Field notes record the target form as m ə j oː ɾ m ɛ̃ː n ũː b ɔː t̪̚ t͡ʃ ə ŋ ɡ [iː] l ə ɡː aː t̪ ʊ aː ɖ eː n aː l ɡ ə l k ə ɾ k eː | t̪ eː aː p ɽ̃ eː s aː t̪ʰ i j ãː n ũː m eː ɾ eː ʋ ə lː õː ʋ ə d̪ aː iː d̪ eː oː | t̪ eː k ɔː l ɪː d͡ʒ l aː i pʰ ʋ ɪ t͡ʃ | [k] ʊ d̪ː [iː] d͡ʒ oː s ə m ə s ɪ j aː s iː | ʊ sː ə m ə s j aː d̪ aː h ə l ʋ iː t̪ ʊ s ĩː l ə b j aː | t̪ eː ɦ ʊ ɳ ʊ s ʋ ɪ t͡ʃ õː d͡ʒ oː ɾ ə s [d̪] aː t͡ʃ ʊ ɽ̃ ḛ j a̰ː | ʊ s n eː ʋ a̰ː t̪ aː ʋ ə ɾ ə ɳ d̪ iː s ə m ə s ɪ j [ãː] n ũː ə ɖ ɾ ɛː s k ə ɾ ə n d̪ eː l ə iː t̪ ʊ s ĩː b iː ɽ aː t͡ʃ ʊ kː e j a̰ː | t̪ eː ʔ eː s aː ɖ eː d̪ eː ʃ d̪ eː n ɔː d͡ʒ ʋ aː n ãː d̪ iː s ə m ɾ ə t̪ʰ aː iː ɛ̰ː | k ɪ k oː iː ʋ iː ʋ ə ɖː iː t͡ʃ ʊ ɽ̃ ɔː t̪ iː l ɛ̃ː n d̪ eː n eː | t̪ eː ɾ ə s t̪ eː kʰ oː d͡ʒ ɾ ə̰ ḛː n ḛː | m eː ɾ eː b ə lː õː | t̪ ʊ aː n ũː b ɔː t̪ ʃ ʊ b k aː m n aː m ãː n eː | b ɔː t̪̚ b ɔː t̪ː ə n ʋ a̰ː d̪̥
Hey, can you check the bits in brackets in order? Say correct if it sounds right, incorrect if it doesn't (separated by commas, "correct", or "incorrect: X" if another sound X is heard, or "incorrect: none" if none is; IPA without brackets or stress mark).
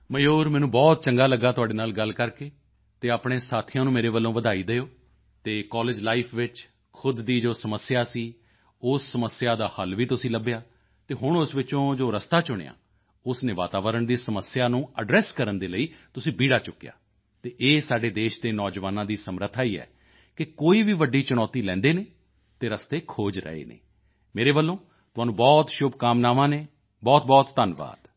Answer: incorrect: aː, incorrect: kʰ, correct, incorrect: t̪, incorrect: aː